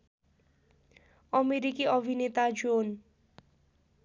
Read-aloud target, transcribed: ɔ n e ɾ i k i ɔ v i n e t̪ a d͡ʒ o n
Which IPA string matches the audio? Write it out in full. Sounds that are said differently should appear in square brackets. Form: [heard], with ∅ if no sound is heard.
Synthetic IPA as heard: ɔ [m] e ɾ i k i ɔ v i n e t̪ a d͡ʒ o n

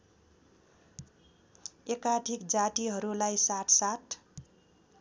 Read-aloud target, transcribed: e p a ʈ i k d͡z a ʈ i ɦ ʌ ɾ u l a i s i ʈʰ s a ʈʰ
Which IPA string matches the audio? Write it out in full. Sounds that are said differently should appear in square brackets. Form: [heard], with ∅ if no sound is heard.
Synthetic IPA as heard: e [k] a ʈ i k d͡z a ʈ i ɦ ʌ ɾ u l a [j] s [a] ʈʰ s a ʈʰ

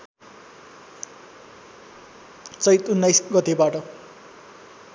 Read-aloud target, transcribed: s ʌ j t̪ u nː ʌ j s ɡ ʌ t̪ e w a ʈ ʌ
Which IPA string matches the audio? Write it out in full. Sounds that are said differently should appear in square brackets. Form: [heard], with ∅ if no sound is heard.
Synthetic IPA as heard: [t͡s] ʌ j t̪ u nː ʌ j s ɡ ʌ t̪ e [b] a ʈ ʌ

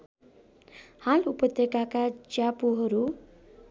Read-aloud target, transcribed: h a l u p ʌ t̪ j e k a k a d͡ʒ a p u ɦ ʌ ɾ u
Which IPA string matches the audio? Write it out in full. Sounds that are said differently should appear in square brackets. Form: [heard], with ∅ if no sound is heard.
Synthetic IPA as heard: h a l u p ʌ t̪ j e k a k a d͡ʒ a p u ɦ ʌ ɾ u

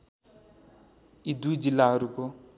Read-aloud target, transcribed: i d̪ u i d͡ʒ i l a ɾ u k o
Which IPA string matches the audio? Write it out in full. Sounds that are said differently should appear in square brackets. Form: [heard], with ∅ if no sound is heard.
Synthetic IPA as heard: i d̪ u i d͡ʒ i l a ɾ u k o

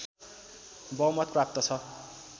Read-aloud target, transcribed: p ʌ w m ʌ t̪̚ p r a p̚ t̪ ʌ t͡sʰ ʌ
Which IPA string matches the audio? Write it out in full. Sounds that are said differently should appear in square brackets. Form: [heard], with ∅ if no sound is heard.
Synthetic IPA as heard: [b] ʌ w m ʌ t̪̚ p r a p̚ t̪ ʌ t͡sʰ ʌ

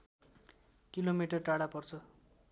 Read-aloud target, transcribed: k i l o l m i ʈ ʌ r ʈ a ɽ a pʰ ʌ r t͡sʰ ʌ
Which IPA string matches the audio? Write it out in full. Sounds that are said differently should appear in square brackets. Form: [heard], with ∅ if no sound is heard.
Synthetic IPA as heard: k i l o [∅] m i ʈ ʌ r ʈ a ɽ a [p] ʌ r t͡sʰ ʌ

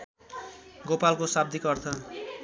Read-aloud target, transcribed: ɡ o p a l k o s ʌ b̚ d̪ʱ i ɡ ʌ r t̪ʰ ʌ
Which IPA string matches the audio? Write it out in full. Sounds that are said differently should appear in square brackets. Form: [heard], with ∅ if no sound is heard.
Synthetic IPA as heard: ɡ o p a l k o s [a] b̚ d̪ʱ i [k] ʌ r t̪ʰ ʌ

